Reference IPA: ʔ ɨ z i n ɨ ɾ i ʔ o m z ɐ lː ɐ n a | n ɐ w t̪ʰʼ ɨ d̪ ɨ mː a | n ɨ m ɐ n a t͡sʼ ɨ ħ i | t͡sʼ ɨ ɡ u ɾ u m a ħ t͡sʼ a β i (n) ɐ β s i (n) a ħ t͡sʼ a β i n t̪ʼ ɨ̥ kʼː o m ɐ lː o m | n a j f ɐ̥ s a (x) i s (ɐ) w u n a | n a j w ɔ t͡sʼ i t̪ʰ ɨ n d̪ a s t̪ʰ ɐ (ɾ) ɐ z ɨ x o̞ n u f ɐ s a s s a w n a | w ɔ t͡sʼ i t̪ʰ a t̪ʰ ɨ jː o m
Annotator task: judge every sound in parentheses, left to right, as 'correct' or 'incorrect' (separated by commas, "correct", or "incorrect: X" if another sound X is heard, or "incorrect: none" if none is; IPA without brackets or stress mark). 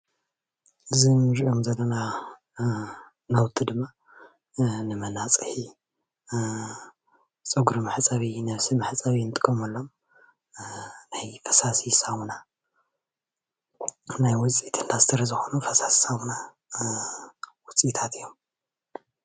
correct, incorrect: m, incorrect: s, incorrect: a, correct